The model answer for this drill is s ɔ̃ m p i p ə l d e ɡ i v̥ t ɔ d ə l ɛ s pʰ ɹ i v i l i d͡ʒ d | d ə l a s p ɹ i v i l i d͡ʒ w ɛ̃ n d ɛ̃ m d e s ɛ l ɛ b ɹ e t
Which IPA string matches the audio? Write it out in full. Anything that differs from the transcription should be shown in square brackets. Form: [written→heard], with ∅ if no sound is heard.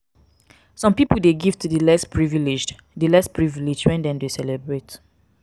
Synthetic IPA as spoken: s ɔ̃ m p i p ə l d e ɡ i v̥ t [ɔ→u] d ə l ɛ s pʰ ɹ i v i l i d͡ʒ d | d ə l [a→ɛ] s p ɹ i v i l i d͡ʒ w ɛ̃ n d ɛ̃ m d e s ɛ l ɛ b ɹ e t